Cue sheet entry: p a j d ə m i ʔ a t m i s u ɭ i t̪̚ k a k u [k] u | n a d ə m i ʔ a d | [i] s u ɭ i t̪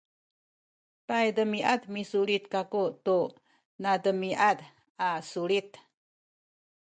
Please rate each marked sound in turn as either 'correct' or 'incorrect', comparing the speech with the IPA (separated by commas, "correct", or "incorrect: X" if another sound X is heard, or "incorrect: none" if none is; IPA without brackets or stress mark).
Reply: incorrect: t, incorrect: a